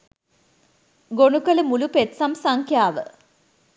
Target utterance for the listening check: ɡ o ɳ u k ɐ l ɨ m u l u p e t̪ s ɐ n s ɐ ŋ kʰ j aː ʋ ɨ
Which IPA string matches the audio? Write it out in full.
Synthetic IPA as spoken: ɡ o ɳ u k ɐ l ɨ m u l u p e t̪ s ɐ m s ɐ ŋ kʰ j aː ʋ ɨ